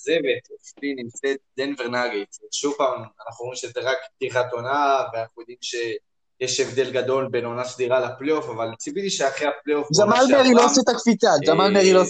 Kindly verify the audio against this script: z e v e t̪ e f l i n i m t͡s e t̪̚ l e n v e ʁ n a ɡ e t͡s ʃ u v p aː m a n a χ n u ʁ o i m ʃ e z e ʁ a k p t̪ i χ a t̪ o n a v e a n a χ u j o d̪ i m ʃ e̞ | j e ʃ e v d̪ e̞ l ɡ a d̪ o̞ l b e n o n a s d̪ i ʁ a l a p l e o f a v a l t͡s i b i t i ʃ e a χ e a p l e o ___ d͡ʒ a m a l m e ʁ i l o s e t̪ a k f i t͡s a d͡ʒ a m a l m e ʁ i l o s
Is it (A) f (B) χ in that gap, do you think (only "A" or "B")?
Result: A